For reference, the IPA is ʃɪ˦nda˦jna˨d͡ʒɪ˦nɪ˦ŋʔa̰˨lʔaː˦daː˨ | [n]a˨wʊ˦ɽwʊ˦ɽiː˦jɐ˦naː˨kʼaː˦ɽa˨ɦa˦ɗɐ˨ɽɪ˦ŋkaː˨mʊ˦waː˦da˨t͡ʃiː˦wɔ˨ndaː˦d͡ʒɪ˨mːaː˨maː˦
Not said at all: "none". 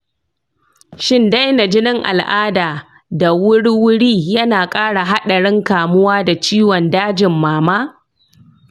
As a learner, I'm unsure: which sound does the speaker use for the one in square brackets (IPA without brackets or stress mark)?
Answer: d